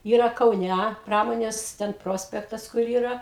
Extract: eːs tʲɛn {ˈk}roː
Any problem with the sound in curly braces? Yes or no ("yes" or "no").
yes